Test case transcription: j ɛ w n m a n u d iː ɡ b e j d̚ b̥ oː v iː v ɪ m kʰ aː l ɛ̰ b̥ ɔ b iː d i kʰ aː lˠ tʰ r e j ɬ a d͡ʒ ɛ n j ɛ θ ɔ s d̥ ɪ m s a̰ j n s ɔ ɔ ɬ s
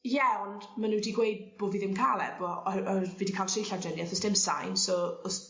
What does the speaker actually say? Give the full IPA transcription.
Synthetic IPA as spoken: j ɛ w n m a n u d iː ɡ w e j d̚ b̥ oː v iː ð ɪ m kʰ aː l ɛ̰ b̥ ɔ v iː d i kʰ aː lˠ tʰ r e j ɬ a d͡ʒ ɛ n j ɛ θ ɔ s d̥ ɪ m s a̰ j n s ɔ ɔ s